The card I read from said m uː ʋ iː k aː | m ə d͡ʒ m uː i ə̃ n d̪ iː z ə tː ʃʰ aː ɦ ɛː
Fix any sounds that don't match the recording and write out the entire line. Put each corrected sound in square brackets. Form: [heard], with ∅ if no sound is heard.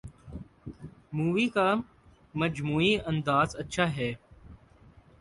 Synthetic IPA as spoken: m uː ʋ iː k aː | m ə d͡ʒ m uː i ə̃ n d̪ [aː] z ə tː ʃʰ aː ɦ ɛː

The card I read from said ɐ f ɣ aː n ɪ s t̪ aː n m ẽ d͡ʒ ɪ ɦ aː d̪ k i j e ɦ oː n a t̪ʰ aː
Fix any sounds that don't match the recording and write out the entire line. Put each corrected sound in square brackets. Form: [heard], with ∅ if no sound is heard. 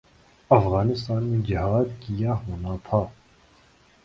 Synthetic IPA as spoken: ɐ f ɣ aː n ɪ s t̪ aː n m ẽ d͡ʒ ɪ ɦ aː d̪ k i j [a] ɦ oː n a t̪ʰ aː

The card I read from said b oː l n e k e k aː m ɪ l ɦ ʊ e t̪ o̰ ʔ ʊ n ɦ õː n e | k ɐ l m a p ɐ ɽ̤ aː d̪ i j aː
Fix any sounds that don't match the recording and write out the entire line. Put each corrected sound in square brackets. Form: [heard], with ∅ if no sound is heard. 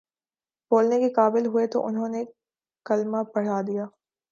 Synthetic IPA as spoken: b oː l n e k e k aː [b] ɪ l ɦ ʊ e t̪ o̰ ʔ ʊ n ɦ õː n e | k ɐ l m a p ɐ ɽ̤ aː d̪ i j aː

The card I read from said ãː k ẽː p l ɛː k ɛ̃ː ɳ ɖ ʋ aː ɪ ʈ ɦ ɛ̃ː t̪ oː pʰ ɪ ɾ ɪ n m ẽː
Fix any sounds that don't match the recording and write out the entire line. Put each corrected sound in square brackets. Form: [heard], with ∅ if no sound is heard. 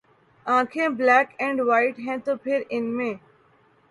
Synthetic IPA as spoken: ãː [kʰ] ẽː [b] l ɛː k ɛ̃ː ɳ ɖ ʋ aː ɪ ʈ ɦ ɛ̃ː t̪ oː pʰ ɪ ɾ ɪ n m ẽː

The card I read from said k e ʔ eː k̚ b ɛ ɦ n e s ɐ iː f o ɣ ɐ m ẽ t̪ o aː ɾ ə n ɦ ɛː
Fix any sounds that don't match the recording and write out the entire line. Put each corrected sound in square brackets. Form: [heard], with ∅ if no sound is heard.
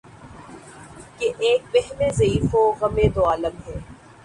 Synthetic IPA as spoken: k e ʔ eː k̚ b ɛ ɦ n e [z] ɐ iː f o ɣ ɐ m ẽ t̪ o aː [l] ə [m] ɦ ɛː

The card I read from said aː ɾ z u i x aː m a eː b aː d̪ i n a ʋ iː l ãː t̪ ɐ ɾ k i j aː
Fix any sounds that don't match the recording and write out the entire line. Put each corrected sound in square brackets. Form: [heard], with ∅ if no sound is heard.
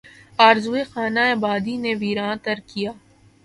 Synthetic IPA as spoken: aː ɾ z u [e] x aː [n] a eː b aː d̪ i n [e] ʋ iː [ɾ] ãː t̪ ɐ ɾ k i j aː

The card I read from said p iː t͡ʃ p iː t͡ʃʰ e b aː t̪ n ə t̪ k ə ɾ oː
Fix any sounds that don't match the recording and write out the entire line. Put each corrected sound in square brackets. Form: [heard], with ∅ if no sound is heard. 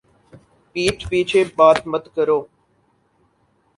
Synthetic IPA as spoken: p iː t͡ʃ p iː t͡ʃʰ e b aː t̪ [m] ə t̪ k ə ɾ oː

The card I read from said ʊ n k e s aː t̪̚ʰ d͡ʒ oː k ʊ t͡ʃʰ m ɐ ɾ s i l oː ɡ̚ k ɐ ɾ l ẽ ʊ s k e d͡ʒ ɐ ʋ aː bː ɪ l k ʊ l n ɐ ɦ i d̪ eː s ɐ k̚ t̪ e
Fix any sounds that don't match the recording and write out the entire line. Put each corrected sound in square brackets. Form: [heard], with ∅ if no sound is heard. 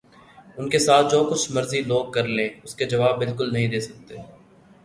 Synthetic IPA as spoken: ʊ n k e s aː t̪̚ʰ d͡ʒ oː k ʊ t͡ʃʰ m ɐ ɾ [z] i l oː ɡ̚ k ɐ ɾ l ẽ ʊ s k e d͡ʒ ɐ ʋ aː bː ɪ l k ʊ l n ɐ ɦ [ĩ] d̪ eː s ɐ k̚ t̪ e

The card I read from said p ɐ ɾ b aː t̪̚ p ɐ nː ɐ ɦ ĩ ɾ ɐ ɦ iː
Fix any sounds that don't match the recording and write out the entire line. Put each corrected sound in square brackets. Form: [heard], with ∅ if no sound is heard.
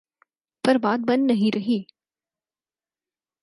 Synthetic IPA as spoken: p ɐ ɾ b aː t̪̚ [b] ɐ nː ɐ ɦ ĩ ɾ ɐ ɦ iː

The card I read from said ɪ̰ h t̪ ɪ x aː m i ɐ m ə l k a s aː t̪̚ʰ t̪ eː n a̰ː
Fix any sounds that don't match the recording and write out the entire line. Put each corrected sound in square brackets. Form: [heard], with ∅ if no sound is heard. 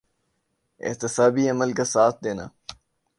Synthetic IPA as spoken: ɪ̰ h t̪ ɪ [s] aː [b] i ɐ m ə l k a s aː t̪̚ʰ [d̪] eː n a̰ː

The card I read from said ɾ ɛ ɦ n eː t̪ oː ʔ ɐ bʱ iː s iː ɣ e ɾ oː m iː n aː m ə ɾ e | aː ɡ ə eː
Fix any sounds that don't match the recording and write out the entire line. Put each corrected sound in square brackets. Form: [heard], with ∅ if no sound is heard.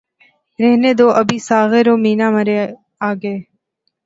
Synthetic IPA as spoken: ɾ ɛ ɦ n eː [d̪] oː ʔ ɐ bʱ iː s [aː] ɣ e ɾ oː m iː n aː m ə ɾ e | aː ɡ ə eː

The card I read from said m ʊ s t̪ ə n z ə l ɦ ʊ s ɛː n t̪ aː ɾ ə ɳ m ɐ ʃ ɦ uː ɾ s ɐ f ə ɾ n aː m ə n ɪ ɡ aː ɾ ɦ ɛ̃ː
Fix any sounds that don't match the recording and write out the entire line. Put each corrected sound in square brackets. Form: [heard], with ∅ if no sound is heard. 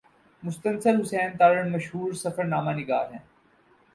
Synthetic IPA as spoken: m ʊ s t̪ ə n [s] ə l ɦ ʊ s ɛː n t̪ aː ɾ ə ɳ m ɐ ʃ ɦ uː ɾ s ɐ f ə ɾ n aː m [a] n ɪ ɡ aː ɾ ɦ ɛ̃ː

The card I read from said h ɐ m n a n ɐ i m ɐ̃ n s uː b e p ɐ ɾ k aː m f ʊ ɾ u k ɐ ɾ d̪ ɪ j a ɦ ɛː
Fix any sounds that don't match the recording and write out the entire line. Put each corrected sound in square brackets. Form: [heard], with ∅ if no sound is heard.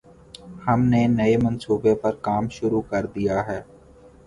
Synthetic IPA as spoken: h ɐ m n [e] n ɐ [e] m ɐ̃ n s uː b e p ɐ ɾ k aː m [ʃ] ʊ ɾ u k ɐ ɾ d̪ [i] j a ɦ ɛː

